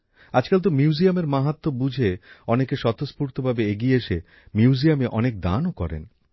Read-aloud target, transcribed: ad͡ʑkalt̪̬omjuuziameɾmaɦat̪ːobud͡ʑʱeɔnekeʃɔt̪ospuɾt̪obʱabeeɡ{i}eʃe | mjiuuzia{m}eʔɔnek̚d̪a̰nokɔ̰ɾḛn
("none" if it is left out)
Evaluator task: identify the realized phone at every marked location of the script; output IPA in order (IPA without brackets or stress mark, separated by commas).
i, m